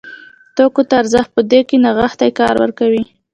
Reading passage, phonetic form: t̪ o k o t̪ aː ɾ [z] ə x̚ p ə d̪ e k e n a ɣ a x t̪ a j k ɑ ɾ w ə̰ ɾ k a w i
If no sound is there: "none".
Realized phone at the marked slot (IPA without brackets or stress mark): z